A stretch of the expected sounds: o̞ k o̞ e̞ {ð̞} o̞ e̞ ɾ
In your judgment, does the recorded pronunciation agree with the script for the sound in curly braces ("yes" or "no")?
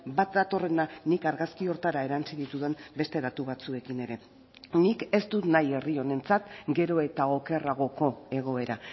no